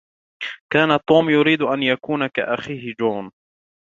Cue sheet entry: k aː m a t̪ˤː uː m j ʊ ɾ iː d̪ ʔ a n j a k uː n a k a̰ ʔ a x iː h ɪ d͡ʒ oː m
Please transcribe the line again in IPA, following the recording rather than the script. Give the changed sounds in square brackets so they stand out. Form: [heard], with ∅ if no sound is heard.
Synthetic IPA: k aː [n] a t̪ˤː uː m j ʊ ɾ iː d̪ ʔ a n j a k uː n a k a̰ ʔ a x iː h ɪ d͡ʒ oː [n]